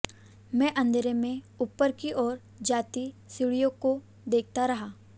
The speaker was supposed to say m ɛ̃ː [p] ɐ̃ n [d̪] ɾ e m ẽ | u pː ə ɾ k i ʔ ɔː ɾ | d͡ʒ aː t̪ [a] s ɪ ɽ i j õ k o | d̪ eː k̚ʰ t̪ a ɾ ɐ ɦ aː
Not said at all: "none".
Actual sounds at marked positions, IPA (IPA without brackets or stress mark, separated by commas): ʔ, d̪, i